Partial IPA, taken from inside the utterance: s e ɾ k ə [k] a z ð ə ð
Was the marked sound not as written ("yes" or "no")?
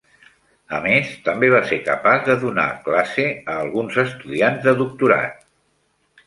yes